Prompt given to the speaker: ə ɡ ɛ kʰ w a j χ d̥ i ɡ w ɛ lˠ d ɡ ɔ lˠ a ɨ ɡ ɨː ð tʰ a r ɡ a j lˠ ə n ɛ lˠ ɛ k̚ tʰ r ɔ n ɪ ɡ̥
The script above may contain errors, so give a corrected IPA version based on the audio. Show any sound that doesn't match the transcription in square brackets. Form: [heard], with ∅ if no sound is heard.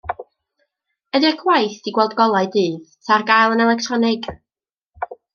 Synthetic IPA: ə [d] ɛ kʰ w a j [θ] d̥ i ɡ w ɛ lˠ d ɡ ɔ lˠ a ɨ [d] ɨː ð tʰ a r ɡ a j lˠ ə n ɛ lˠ ɛ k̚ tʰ r ɔ n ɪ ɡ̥